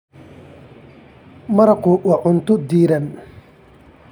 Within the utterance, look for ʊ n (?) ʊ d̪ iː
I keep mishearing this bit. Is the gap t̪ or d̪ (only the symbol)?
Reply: t̪